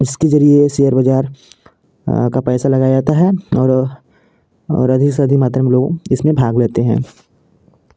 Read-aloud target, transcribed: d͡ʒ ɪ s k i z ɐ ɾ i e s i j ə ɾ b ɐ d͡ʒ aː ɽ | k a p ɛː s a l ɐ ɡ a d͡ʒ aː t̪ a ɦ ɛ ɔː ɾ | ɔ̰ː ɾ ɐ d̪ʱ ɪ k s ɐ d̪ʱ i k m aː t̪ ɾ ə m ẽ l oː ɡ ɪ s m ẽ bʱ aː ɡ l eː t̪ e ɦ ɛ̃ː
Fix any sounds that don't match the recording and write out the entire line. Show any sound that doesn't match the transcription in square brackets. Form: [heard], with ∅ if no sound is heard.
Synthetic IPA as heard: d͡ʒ ɪ s k [e] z ɐ ɾ i e s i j ə ɾ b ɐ d͡ʒ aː [ɾ] | k a p ɛː s a l ɐ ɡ a d͡ʒ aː t̪ a ɦ ɛ ɔː ɾ | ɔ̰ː ɾ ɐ d̪ʱ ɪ k s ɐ d̪ʱ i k m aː t̪ ɾ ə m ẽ l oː ɡ ɪ s m ẽ bʱ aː ɡ l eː t̪ e ɦ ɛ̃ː